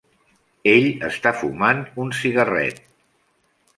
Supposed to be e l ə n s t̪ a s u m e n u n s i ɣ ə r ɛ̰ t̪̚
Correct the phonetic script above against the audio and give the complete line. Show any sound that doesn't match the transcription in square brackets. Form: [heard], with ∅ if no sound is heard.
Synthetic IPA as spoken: e [ʎ] ə [∅] s t̪ a [f] u m [a] n u n s i ɣ ə r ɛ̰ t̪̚